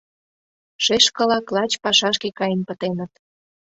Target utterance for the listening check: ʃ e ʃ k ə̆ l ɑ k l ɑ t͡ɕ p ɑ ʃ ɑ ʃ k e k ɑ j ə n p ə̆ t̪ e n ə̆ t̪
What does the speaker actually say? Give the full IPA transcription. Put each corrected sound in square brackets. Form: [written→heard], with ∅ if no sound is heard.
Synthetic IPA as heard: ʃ e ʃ k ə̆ l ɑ k l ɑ t͡ɕ p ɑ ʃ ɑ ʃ k e k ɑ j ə n p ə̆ t̪ e n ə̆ t̪